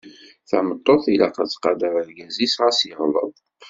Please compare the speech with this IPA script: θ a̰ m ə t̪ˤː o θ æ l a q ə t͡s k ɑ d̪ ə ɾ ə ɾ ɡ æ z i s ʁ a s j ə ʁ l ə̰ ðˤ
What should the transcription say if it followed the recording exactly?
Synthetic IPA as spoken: θ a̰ m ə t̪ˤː o θ i l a q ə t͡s q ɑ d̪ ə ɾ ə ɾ ɡ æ z i s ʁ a s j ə ʁ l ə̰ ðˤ